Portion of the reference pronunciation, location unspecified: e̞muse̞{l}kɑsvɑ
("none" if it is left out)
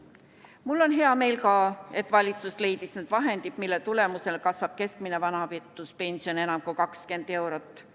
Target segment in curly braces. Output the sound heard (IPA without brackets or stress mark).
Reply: l